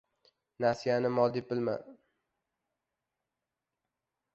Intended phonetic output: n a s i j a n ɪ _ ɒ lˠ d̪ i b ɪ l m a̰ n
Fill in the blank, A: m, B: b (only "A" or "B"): A